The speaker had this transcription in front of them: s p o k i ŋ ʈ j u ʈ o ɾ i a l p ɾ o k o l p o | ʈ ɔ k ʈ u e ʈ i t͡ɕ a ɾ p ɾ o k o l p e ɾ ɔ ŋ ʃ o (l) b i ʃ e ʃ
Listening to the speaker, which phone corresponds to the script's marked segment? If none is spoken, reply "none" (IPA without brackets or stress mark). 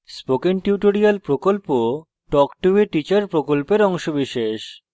none